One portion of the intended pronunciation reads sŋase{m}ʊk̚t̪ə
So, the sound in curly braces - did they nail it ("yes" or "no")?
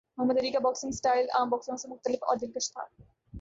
yes